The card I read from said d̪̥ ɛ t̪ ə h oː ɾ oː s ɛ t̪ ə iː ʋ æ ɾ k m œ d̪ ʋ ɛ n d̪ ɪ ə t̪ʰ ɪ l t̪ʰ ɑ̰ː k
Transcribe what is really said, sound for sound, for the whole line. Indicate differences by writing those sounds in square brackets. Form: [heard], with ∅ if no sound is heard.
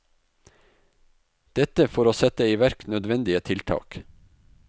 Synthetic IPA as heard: d̪̥ ɛ t̪ ə [f] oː ɾ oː s ɛ t̪ ə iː ʋ æ ɾ k [n] œ d̪ ʋ ɛ n d̪ ɪ ə t̪ʰ ɪ l t̪ʰ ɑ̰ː k

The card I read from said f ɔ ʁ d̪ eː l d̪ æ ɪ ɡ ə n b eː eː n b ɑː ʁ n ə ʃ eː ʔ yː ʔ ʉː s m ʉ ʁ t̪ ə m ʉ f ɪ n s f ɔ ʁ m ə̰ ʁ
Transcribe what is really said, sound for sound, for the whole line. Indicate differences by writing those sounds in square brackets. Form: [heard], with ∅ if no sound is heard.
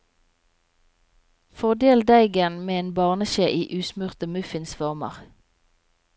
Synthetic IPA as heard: f ɔ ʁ d̪ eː l d̪ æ ɪ ɡ ə n [m] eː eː n b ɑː ʁ n ə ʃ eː ʔ [iː] ʔ ʉː s m ʉ ʁ t̪ ə m ʉ f ɪ n s f ɔ ʁ m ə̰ ʁ

